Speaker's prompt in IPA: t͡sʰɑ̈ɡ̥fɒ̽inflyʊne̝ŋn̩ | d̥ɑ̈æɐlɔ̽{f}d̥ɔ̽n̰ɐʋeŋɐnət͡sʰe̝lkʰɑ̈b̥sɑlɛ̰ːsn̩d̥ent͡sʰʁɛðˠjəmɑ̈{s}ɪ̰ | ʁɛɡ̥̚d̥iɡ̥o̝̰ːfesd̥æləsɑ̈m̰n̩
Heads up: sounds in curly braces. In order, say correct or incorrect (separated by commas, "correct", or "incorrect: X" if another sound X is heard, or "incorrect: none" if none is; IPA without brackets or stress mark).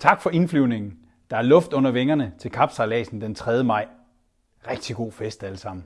correct, incorrect: none